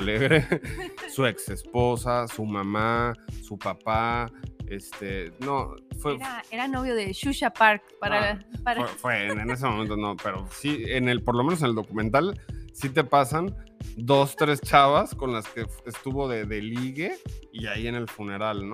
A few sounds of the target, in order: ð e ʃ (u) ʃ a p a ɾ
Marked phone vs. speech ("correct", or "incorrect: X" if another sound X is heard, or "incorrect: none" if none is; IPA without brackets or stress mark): correct